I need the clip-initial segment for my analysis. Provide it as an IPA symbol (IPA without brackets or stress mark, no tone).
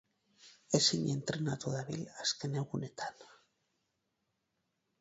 e